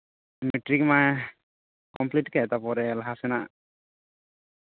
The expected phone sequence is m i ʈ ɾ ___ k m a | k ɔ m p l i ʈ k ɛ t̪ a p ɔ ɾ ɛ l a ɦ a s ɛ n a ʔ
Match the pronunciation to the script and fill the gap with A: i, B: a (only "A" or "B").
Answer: A